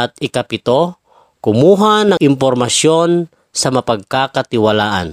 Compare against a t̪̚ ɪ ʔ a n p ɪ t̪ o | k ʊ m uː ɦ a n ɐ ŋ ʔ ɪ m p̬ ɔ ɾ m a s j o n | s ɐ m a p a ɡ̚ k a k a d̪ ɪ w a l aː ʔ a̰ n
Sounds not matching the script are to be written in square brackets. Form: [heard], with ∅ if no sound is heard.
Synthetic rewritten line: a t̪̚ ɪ [k] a [∅] p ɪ t̪ o | k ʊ m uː ɦ a n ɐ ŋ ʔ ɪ m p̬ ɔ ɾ m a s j o n | s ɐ m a p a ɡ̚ k a k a [t̪] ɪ w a l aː ʔ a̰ n